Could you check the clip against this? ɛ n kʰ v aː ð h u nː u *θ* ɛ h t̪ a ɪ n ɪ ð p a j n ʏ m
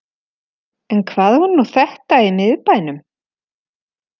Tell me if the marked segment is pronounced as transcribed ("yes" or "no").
yes